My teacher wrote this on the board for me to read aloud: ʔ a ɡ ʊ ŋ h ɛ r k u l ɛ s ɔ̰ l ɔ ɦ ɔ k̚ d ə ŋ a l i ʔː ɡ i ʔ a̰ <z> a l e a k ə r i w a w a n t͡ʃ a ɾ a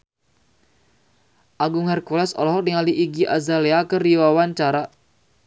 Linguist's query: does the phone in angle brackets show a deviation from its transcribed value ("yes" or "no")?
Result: no